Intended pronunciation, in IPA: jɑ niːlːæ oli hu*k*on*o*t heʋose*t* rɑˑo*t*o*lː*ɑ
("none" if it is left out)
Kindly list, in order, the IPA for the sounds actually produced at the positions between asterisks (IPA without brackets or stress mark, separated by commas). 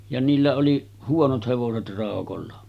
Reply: none, o, t, k, lː